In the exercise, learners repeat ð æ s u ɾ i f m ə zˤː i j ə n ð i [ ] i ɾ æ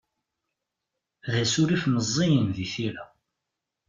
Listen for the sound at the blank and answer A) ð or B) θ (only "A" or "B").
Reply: B